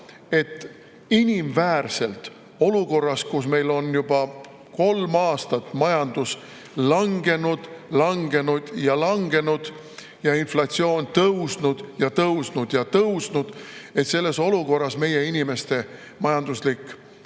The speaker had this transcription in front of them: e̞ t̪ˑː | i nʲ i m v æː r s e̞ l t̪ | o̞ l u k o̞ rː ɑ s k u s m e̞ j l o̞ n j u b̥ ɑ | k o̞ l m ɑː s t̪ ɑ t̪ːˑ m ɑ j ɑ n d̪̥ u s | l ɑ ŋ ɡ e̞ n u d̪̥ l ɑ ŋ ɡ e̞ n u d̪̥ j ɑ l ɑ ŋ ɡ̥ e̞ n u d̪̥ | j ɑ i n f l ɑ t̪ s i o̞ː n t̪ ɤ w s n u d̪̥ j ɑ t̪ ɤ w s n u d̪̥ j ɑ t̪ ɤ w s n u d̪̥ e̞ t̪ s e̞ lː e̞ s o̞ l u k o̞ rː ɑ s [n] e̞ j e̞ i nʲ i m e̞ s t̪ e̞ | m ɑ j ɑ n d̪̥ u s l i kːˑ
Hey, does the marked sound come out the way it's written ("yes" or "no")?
no